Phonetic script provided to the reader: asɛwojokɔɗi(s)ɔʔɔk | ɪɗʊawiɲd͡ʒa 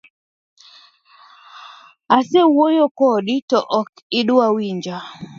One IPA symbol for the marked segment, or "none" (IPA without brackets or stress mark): t